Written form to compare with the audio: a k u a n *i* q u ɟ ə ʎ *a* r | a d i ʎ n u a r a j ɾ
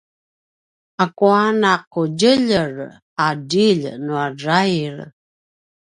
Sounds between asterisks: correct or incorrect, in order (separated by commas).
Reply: incorrect, incorrect